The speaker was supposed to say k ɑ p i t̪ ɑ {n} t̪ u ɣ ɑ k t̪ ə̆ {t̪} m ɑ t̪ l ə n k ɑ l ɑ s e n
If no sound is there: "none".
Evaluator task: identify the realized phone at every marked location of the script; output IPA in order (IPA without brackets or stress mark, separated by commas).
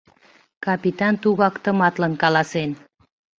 n, none